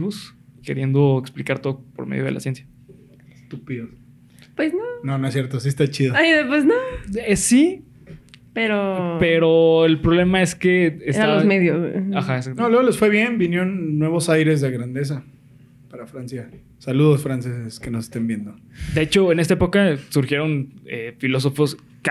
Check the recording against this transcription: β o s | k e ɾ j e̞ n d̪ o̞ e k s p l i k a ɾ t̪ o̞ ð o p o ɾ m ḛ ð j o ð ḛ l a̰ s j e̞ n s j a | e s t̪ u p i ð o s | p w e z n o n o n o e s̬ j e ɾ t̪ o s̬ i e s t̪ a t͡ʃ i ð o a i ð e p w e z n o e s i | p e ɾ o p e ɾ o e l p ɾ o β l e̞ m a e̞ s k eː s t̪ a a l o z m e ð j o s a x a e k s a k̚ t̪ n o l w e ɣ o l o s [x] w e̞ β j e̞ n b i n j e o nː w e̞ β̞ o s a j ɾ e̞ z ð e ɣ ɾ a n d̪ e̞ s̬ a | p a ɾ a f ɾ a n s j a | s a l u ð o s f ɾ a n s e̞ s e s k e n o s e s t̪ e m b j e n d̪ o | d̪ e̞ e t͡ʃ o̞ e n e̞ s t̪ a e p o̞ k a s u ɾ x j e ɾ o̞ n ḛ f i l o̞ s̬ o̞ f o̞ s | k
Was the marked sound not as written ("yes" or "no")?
yes